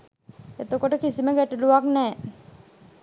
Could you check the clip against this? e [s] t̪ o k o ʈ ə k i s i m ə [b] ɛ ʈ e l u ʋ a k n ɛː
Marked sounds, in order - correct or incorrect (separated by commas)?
incorrect, incorrect